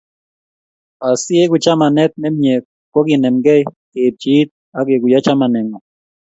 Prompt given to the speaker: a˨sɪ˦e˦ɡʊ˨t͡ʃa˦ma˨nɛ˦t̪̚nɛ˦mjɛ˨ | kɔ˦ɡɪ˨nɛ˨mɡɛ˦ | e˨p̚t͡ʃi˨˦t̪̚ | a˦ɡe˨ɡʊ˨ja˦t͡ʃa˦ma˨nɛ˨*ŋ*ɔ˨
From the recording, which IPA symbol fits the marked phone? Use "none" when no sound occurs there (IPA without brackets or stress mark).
ŋ